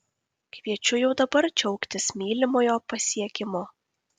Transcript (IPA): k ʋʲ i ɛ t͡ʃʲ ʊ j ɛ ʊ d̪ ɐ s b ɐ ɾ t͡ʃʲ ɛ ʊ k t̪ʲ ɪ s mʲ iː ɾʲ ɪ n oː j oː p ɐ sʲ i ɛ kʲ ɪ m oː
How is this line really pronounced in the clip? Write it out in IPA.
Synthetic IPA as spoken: k ʋʲ i ɛ t͡ʃʲ ʊ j ɛ ʊ d̪ ɐ b ɐ ɾ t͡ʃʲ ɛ ʊ k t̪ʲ ɪ s mʲ iː lʲ ɪ m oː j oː p ɐ sʲ i ɛ kʲ ɪ m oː